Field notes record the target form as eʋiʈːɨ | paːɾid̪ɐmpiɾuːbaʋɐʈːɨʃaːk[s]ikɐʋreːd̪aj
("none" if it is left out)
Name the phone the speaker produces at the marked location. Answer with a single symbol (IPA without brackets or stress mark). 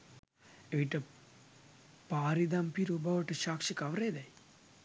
ʂ